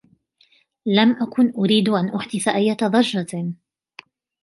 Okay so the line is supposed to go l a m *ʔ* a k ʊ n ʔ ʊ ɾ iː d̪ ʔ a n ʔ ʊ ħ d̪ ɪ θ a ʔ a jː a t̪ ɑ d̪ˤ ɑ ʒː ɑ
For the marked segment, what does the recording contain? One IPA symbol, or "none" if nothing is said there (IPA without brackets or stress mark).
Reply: ʔ